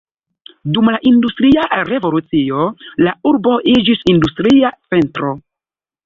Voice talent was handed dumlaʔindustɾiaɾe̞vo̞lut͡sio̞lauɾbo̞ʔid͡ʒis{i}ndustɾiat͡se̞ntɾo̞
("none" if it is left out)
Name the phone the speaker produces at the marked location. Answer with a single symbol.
i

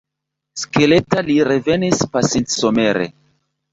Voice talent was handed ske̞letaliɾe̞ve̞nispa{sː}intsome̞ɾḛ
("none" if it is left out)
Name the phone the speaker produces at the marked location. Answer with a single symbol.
s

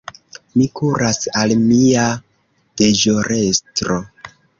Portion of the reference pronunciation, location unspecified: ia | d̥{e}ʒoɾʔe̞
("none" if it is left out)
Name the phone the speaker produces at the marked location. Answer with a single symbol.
e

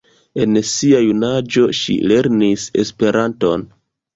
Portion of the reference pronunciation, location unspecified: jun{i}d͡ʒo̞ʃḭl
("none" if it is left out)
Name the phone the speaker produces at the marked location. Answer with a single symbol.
a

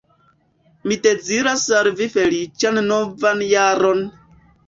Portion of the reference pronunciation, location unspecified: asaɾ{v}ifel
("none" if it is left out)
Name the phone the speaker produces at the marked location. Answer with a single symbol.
v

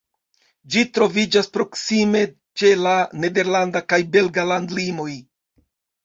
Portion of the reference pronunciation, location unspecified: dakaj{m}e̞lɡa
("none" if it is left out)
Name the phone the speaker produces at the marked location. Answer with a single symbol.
b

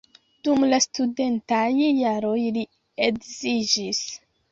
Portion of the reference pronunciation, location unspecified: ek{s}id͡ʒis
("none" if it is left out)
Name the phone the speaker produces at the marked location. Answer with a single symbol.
z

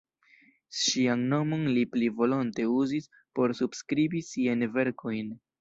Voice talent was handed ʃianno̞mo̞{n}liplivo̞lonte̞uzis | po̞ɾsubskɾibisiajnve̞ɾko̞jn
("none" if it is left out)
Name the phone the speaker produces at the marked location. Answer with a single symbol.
n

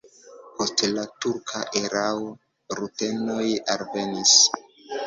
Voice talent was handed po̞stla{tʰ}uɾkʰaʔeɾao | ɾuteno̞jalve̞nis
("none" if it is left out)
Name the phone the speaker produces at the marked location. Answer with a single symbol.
t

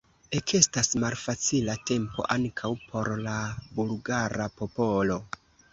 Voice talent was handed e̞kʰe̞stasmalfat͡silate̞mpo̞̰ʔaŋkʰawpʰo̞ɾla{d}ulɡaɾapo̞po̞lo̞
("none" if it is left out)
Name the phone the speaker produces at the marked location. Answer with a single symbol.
b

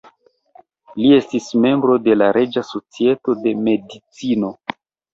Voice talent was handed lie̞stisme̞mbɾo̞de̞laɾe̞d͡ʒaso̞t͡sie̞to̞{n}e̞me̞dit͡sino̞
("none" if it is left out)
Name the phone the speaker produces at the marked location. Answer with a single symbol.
d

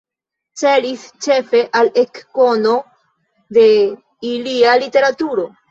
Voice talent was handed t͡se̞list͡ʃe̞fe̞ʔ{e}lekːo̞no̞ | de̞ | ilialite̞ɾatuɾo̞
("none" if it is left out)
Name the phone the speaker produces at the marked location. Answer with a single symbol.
a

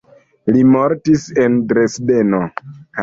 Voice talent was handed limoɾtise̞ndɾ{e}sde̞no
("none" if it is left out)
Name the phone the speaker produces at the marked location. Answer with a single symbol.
e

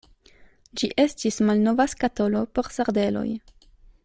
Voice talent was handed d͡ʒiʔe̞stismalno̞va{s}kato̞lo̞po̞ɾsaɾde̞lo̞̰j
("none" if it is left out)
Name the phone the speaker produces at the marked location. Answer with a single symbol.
s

